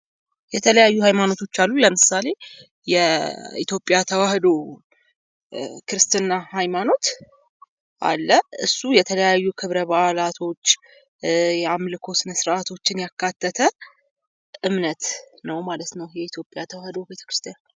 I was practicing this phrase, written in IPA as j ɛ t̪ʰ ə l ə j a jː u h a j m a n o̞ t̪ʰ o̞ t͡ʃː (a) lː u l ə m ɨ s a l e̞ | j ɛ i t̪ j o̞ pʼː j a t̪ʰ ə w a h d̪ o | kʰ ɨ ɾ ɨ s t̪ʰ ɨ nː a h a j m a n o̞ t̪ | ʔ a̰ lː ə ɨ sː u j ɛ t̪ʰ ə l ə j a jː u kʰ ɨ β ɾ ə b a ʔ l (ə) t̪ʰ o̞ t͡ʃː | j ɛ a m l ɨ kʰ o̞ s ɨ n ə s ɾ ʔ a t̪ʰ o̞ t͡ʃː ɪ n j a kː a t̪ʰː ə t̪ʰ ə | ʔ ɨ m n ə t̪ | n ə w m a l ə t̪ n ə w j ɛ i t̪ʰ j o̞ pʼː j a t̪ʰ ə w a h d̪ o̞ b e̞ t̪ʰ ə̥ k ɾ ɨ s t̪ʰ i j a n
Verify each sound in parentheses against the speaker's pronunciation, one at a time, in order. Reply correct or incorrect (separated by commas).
correct, incorrect